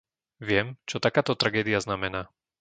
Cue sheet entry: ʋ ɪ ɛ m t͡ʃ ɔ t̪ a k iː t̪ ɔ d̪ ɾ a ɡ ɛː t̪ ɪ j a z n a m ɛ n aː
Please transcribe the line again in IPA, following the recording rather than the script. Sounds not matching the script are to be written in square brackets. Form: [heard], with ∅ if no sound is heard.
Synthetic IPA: ʋ ɪ ɛ m t͡ʃ ɔ t̪ a k [aː] t̪ ɔ [t̪] ɾ a ɡ ɛː [d̪] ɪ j a z n a m ɛ n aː